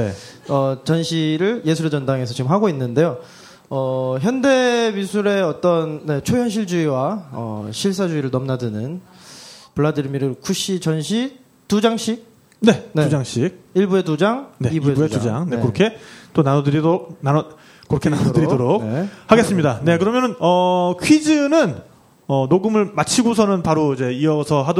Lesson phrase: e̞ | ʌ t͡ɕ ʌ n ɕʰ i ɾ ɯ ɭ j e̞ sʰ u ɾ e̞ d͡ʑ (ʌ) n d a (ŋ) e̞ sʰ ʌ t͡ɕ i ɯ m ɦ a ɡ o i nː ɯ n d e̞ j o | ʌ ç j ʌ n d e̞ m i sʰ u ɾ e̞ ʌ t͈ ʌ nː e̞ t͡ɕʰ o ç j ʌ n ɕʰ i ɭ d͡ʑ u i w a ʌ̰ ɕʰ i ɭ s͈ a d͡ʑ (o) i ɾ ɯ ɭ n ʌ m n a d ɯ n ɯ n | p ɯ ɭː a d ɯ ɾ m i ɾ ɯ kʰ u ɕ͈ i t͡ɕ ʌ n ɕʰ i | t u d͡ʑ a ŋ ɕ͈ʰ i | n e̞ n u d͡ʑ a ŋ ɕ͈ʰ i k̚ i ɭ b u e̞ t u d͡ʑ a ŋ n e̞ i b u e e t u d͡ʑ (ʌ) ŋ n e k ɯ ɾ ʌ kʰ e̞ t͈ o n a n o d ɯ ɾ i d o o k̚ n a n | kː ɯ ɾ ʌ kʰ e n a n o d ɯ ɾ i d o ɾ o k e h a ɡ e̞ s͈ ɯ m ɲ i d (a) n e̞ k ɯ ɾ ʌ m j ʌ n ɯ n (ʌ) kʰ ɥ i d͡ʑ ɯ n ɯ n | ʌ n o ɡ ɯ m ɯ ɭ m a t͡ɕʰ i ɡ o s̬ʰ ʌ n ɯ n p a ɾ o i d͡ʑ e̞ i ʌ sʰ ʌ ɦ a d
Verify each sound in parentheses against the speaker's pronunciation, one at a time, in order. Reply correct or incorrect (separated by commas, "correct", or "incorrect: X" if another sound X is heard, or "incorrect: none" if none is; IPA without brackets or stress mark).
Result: correct, correct, incorrect: u, incorrect: a, correct, correct